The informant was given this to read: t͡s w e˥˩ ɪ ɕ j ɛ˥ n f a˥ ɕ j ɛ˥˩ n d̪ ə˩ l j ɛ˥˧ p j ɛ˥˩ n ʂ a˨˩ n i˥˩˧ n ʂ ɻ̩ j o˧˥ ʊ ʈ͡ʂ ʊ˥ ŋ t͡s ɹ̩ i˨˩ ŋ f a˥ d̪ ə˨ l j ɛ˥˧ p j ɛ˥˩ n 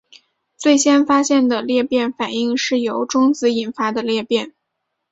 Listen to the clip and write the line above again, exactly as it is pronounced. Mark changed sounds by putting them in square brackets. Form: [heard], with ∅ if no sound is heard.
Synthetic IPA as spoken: t͡s w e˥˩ ɪ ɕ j ɛ˥ n f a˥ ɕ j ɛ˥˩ n d̪ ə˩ l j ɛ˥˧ p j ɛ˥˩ n [f] a˨˩ n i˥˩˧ [ŋ] ʂ ɻ̩ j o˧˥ ʊ ʈ͡ʂ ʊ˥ ŋ t͡s ɹ̩ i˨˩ [n] f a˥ d̪ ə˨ l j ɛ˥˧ p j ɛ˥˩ n